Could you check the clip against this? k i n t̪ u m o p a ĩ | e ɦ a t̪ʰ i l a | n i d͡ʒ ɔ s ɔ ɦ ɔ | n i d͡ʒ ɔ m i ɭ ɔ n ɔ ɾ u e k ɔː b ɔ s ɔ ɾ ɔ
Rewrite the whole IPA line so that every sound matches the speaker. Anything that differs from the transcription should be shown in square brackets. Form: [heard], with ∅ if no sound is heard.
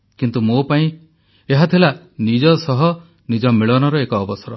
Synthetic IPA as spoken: k i n t̪ u m o p a ĩ | e ɦ a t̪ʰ i l a | n i d͡ʒ ɔ s ɔ ɦ ɔ | n i d͡ʒ ɔ m i ɭ ɔ n ɔ ɾ [ɔ] e k ɔː b ɔ s ɔ ɾ ɔ